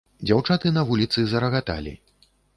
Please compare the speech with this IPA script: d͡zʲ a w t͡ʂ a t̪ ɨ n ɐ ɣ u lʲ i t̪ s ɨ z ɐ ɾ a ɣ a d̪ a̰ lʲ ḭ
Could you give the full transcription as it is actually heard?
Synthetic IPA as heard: d͡zʲ a w t͡ʂ a t̪ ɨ n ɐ v u lʲ i t̪ s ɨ z ɐ ɾ ɐ ɣ a t̪ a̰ lʲ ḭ

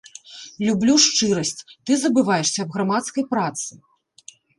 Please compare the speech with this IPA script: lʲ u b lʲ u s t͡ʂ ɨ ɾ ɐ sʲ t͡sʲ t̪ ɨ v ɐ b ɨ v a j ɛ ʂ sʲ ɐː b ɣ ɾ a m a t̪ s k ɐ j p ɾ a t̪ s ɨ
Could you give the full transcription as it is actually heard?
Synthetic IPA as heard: lʲ u b lʲ u ʂ t͡ʂ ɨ ɾ ɐ sʲ t͡sʲ t̪ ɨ z ɐ b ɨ v a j ɛ ʂ sʲ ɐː b ɣ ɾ a m a t̪ s k ɐ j p ɾ a t̪ s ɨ

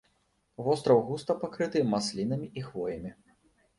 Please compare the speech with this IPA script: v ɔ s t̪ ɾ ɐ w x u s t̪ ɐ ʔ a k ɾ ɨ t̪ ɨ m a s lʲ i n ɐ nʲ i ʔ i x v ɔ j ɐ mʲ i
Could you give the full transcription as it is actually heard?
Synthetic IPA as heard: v ɔ s t̪ ɾ ɐ w ɣ u s t̪ ɐ p a k ɾ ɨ t̪ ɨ m a s lʲ i n ɐ mʲ i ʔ i x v ɔ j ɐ mʲ i

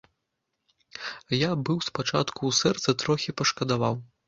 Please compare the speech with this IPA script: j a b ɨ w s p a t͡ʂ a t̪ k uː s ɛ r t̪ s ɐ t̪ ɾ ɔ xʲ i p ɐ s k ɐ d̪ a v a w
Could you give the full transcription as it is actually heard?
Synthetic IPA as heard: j a b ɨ w s p a t͡ʂ a t̪ k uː s ɛ r t̪ s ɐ t̪ ɾ ɔ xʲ i p ɐ ʂ k ɐ d̪ a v a w

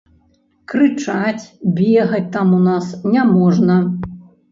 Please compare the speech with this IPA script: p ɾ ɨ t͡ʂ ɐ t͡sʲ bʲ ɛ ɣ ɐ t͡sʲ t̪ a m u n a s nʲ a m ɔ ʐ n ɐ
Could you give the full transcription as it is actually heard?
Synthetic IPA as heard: k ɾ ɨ t͡ʂ a t͡sʲ bʲ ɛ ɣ ɐ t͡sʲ t̪ a m u n a s nʲ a m ɔ ʐ n ɐ

